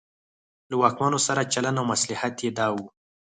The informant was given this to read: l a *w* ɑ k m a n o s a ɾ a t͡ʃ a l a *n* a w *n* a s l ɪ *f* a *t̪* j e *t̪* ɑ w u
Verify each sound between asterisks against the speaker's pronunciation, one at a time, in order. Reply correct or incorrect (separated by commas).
correct, correct, incorrect, incorrect, correct, incorrect